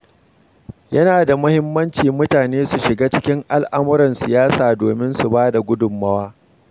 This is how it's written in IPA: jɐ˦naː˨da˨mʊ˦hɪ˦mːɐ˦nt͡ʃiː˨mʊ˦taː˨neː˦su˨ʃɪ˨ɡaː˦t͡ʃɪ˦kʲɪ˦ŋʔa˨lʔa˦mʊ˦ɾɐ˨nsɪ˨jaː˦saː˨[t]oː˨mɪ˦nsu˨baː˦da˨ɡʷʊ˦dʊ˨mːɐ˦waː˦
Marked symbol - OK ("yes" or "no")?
no